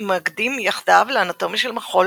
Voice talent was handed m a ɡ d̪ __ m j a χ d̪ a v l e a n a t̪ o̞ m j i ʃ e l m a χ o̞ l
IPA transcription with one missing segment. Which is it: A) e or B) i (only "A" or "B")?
B